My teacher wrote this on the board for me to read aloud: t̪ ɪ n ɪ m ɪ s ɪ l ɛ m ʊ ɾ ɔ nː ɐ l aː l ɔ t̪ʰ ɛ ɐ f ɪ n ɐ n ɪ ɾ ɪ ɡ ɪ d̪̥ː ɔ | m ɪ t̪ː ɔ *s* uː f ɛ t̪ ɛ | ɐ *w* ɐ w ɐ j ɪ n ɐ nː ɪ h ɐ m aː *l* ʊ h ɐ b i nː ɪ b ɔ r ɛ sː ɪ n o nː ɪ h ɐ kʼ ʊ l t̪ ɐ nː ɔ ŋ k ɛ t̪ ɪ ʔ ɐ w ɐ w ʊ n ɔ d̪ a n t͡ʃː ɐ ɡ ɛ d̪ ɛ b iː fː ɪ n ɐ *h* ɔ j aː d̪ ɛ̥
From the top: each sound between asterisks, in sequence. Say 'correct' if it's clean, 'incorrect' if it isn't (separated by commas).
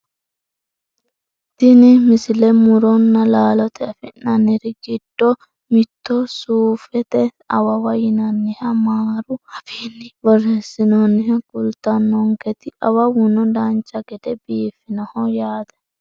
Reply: correct, correct, incorrect, correct